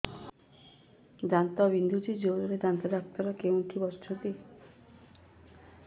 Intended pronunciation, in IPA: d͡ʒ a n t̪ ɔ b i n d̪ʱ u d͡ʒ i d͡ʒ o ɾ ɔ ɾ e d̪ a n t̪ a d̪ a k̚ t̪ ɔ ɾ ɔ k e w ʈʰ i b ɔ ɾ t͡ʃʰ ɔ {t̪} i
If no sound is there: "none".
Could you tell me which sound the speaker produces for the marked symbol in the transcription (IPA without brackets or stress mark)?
t̪